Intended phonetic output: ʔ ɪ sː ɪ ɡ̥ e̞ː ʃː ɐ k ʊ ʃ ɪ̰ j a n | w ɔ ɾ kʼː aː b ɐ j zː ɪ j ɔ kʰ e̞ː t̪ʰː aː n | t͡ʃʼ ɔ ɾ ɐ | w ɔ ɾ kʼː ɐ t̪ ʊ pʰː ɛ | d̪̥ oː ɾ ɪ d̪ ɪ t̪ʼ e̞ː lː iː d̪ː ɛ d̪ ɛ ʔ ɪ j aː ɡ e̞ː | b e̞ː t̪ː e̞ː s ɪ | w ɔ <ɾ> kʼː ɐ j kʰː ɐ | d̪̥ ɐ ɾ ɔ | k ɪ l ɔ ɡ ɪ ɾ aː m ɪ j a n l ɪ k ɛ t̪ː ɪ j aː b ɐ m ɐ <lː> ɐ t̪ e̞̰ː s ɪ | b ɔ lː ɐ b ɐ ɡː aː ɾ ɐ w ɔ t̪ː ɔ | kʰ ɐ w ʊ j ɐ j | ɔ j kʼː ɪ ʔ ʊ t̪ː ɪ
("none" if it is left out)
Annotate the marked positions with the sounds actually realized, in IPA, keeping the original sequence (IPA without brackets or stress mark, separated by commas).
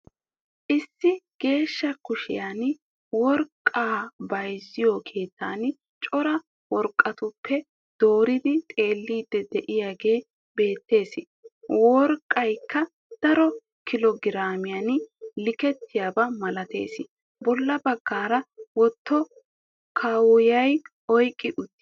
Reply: ɾ, l